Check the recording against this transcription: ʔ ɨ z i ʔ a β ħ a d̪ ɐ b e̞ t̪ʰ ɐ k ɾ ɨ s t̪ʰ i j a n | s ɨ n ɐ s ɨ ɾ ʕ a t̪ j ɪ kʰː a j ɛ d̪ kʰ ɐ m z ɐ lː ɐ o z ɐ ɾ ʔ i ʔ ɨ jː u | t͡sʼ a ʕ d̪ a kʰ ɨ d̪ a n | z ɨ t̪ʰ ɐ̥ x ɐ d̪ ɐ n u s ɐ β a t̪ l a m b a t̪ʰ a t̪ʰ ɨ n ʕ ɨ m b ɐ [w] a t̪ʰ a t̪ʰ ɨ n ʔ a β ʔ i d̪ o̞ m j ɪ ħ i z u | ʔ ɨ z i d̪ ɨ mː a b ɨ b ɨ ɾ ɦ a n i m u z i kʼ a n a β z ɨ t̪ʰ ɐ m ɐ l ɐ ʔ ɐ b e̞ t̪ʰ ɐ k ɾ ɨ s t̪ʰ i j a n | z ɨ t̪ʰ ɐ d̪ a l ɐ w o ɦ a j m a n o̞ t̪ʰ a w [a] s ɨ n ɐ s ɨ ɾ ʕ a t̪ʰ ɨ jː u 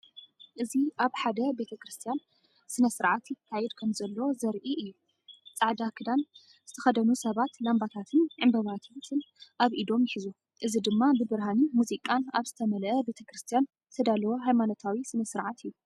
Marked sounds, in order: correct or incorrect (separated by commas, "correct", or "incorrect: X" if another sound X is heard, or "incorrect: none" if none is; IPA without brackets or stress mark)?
incorrect: β, incorrect: i